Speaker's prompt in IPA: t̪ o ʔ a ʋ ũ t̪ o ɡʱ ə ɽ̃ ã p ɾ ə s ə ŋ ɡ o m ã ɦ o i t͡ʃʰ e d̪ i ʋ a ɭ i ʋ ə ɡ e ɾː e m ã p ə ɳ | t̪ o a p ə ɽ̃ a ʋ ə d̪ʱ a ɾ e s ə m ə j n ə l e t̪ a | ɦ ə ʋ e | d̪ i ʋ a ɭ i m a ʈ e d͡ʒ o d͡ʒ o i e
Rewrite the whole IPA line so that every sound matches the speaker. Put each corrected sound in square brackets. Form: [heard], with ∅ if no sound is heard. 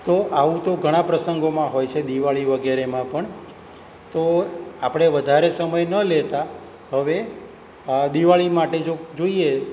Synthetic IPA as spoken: t̪ o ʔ a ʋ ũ t̪ o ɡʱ ə ɽ̃ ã p ɾ ə s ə ŋ ɡ o m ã ɦ o [j] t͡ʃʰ e d̪ i ʋ a ɭ i ʋ ə ɡ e [ɾ] e m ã p ə ɳ | t̪ o a p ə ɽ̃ [e] ʋ ə d̪ʱ a ɾ e s ə m ə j n ə l e t̪ a | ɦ ə ʋ e | d̪ i ʋ a ɭ i m a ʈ e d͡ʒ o d͡ʒ o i e